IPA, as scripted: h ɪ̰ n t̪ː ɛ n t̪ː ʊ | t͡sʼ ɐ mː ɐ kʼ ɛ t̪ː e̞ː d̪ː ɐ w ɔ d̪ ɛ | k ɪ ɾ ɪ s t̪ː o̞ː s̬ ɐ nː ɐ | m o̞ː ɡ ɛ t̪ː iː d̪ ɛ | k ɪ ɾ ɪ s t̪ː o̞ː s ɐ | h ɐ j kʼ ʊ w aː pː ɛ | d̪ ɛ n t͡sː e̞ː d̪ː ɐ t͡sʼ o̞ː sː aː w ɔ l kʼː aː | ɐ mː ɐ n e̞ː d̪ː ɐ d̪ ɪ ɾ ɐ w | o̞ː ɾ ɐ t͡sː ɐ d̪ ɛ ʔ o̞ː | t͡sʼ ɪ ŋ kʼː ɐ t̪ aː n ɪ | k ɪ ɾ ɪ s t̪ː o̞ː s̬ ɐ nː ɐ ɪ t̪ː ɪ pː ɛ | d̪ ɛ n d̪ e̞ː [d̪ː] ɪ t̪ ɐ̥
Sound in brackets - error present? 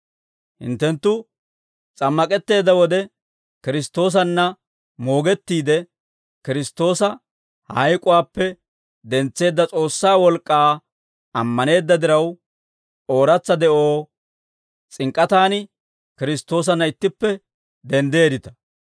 yes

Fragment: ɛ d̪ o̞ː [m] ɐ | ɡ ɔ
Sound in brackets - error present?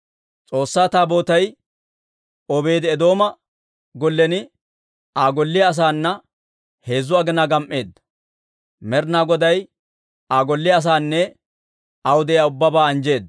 no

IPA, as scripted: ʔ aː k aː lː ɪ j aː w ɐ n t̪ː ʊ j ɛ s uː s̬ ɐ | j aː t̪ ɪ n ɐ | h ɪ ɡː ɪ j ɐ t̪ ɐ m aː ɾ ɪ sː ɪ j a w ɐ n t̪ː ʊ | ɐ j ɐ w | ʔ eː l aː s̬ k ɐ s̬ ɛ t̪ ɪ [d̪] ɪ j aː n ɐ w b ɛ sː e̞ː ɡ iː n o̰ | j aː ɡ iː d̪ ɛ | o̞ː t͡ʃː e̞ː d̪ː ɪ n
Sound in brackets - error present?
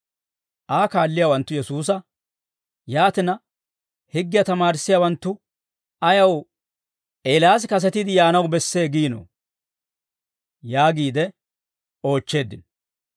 no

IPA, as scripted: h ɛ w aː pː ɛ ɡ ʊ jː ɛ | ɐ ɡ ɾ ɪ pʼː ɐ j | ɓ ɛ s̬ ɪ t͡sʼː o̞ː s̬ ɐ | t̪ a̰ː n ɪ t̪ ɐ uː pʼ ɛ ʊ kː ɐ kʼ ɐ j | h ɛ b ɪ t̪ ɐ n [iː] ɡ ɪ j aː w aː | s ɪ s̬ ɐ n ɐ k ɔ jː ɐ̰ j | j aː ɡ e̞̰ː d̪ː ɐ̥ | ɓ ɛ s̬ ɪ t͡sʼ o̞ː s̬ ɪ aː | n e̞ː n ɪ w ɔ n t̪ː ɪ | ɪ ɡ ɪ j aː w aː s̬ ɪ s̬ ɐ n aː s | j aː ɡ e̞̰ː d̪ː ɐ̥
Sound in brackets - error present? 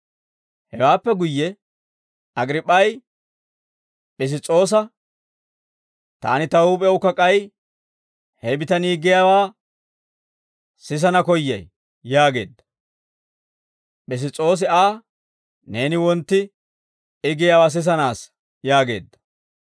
no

